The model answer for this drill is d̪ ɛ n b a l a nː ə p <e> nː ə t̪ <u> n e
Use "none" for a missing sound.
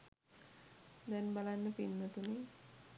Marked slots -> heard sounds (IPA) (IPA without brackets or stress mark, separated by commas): i, u